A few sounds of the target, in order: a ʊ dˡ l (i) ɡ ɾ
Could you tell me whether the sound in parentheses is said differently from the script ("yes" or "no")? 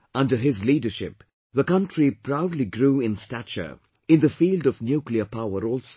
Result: no